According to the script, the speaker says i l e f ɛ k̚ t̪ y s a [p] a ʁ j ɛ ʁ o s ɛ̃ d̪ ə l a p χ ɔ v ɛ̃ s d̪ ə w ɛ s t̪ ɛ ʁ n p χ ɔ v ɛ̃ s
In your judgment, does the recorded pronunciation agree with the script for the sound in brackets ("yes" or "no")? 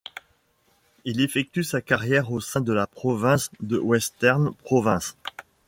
no